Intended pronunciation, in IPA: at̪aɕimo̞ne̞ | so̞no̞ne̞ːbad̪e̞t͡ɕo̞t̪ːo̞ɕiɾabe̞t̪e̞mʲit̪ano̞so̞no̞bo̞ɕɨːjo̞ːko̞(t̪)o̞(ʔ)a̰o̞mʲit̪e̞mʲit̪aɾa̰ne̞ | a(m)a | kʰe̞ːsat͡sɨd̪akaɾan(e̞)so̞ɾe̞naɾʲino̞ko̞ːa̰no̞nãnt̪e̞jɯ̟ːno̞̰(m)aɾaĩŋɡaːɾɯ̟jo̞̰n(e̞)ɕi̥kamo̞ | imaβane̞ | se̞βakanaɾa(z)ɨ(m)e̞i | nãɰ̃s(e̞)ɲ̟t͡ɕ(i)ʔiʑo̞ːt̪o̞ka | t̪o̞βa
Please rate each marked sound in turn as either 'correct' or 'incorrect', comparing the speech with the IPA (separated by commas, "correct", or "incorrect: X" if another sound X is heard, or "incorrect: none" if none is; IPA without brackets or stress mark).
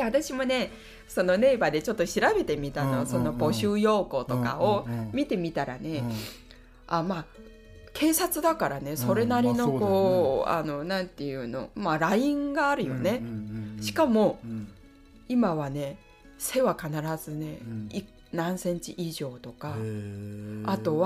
correct, incorrect: k, correct, correct, correct, correct, correct, incorrect: n, incorrect: ẽ̞, correct